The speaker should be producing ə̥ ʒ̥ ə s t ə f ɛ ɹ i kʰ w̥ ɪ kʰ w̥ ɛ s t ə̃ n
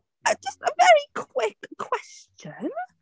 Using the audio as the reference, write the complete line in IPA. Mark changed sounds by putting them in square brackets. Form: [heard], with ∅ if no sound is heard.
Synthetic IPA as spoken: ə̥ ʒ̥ [ʌ] s t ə [v] ɛ ɹ i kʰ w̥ ɪ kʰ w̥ ɛ s [t͡ʃ] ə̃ n